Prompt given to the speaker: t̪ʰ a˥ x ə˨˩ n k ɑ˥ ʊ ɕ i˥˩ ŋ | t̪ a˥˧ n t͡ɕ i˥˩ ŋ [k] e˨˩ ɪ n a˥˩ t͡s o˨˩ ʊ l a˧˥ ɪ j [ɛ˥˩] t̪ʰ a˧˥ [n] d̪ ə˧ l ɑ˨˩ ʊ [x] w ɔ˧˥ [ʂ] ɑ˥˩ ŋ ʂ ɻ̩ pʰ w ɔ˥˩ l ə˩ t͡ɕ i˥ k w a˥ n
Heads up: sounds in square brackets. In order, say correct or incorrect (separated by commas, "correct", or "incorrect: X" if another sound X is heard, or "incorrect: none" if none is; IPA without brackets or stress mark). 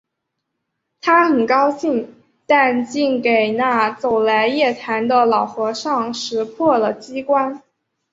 correct, correct, correct, correct, correct